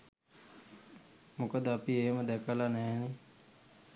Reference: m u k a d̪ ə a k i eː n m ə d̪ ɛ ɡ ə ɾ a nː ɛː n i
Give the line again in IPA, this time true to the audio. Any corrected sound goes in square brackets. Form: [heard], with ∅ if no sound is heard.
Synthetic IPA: m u k [ə] d̪ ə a [p] i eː [∅] m ə d̪ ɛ [k] ə [l] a [n] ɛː n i